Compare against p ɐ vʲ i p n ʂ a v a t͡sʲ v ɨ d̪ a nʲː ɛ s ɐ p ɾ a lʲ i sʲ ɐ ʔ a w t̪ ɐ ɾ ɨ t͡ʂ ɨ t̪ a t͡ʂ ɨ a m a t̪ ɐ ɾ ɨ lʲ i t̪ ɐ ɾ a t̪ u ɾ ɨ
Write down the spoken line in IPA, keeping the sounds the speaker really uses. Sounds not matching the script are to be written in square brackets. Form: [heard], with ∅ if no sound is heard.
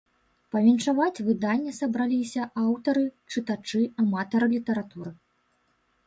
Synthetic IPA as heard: p ɐ vʲ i [∅] n ʂ a v a t͡sʲ v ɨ d̪ a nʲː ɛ s ɐ [b] ɾ a lʲ i sʲ ɐ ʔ a w t̪ ɐ ɾ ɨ t͡ʂ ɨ t̪ a t͡ʂ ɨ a m a t̪ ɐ ɾ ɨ lʲ i t̪ ɐ ɾ a t̪ u ɾ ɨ